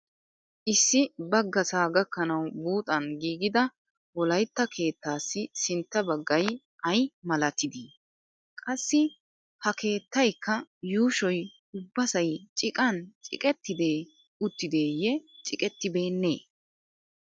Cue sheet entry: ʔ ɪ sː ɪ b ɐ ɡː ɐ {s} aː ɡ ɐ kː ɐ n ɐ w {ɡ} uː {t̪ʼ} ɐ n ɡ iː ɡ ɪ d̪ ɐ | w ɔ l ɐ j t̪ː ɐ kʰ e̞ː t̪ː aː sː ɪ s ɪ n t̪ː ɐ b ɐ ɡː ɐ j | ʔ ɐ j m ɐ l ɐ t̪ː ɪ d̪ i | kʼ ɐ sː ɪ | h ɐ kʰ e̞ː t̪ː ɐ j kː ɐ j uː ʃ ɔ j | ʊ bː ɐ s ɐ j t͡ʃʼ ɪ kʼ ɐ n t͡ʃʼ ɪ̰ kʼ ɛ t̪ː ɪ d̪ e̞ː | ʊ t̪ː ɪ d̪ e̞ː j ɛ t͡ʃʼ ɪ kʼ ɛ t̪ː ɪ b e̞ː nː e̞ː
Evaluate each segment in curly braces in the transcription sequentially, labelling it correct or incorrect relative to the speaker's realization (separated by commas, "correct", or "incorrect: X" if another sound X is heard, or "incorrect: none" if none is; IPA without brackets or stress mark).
correct, incorrect: b, correct